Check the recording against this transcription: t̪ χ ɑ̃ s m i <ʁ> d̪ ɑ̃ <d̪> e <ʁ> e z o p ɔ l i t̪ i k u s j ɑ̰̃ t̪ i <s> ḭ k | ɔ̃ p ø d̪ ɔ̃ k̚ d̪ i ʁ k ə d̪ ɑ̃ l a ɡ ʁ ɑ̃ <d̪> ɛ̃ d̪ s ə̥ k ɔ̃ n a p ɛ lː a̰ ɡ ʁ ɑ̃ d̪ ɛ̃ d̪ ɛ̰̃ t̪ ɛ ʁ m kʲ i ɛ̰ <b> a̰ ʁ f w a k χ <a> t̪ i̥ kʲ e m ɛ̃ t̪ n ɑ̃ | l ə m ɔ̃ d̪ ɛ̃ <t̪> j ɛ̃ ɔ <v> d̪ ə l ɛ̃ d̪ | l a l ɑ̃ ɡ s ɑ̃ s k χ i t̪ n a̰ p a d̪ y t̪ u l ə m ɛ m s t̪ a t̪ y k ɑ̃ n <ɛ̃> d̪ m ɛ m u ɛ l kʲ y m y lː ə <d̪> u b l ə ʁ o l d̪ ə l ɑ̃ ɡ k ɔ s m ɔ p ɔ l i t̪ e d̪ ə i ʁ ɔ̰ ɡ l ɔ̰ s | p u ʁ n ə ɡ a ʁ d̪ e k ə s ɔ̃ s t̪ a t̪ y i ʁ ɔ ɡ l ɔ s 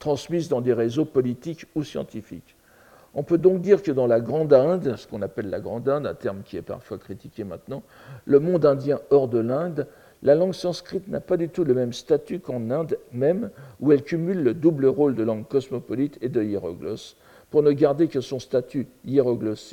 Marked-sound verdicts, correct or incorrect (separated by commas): incorrect, correct, correct, incorrect, correct, incorrect, incorrect, incorrect, incorrect, correct, correct